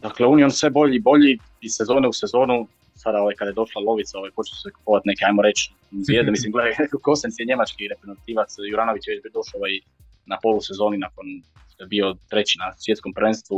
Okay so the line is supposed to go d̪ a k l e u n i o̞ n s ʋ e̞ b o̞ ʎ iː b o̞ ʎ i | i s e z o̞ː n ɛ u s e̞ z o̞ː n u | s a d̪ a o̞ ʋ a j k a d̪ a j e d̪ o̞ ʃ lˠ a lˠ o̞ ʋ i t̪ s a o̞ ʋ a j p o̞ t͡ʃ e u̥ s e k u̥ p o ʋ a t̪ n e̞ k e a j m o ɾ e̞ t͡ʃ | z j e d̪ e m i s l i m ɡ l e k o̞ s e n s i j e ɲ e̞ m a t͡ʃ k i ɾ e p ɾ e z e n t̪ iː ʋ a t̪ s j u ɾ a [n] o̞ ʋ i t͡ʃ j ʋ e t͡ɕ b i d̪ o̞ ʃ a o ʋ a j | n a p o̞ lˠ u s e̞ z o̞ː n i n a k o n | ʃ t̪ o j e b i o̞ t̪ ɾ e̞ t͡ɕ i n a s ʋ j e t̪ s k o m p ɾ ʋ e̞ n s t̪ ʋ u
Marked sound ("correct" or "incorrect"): correct